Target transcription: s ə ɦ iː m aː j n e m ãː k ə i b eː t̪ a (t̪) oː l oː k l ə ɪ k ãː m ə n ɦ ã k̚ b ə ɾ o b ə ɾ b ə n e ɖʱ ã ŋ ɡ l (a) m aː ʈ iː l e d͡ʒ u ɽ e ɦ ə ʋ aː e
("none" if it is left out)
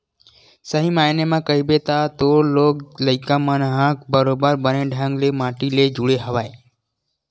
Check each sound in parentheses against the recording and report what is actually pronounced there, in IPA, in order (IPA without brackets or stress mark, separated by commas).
t̪, e